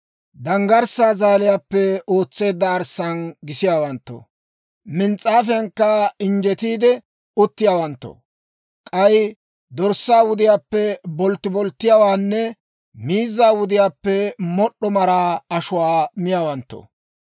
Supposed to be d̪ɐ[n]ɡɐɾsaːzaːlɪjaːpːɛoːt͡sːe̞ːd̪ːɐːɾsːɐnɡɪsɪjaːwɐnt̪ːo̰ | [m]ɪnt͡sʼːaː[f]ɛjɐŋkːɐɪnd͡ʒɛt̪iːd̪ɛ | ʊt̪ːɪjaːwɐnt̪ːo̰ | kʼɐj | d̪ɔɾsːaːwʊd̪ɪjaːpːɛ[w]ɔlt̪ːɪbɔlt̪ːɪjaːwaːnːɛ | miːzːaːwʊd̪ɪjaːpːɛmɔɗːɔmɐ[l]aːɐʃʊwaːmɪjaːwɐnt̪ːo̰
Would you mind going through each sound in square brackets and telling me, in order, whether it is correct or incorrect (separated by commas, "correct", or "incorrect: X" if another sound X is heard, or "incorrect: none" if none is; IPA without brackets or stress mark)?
incorrect: ŋ, correct, correct, incorrect: b, incorrect: ɾ